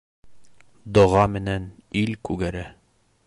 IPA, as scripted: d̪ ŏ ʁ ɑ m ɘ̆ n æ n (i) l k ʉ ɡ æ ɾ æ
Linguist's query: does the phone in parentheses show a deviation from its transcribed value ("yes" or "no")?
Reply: no